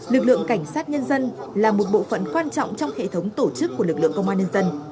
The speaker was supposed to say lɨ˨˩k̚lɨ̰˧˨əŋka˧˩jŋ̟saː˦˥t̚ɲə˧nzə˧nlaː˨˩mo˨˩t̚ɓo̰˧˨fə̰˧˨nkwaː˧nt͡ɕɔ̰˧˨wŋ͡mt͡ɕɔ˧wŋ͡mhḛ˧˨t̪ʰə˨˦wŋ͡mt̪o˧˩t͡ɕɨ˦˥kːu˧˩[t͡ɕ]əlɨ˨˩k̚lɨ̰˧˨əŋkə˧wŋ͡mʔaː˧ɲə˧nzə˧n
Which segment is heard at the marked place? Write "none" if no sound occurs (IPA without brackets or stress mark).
none